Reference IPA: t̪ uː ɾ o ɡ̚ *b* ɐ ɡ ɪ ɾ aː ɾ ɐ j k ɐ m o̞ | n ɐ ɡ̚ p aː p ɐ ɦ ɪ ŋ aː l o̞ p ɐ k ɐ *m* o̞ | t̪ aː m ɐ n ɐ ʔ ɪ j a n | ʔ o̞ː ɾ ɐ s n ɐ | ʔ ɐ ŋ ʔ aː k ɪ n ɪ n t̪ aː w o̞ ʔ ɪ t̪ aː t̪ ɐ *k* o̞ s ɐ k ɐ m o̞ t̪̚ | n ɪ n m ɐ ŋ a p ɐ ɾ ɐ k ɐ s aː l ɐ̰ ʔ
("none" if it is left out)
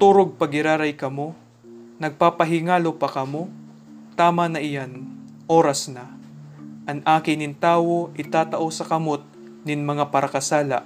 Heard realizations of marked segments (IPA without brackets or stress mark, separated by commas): p, m, ʔ